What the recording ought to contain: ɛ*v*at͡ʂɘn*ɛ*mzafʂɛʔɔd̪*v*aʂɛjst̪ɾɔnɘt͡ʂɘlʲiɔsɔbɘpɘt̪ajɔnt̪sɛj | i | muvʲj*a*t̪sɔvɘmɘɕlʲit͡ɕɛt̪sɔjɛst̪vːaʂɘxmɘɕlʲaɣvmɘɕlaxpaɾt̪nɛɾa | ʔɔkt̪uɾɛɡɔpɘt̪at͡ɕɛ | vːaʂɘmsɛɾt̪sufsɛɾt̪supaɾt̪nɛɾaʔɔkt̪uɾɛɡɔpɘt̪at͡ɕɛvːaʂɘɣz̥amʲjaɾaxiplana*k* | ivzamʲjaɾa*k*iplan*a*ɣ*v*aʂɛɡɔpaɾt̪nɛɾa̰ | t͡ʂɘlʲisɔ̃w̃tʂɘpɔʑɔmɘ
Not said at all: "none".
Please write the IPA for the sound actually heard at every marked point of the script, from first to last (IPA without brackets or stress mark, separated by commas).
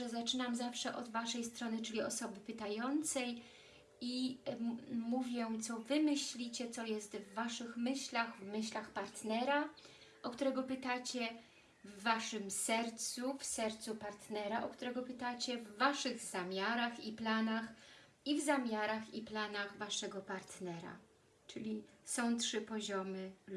z, a, v, ɛ, x, x, a, v